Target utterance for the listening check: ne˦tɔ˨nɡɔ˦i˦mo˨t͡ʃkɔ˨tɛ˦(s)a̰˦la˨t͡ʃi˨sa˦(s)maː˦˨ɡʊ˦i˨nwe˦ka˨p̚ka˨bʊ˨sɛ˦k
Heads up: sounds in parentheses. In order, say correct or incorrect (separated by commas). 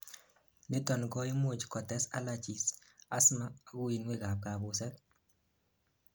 correct, correct